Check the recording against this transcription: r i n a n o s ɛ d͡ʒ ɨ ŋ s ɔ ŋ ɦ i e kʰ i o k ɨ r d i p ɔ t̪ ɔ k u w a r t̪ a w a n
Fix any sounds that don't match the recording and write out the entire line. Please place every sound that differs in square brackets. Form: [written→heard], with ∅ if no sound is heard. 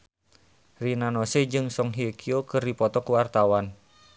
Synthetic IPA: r i n a n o s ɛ d͡ʒ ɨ ŋ s ɔ ŋ ɦ i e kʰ i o k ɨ r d i p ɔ t̪ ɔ k u w a r t̪ a w a n